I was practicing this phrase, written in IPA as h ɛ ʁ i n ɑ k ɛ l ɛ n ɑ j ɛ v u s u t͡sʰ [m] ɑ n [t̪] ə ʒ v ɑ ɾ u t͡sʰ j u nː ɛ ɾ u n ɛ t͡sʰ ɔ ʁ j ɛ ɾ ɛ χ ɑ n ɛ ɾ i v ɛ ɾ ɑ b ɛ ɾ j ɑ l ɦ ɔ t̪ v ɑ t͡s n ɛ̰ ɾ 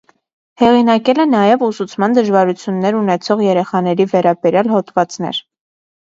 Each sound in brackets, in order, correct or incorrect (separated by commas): correct, incorrect